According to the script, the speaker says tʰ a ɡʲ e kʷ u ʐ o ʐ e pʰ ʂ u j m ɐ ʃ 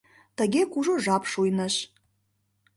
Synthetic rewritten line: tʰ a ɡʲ e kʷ u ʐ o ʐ a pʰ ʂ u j n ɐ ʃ